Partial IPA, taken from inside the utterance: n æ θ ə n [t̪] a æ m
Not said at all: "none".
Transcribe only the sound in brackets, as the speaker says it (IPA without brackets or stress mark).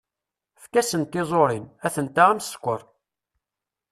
t̪